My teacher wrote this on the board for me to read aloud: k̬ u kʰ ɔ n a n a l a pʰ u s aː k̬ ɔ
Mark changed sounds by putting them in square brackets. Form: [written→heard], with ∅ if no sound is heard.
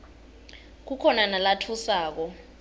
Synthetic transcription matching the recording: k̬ u kʰ ɔ n a n a l a [pʰ→tʰ] u s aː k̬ ɔ